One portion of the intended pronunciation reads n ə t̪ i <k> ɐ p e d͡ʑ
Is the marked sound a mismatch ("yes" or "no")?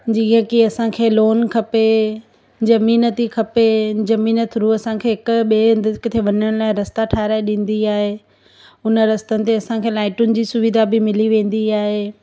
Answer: yes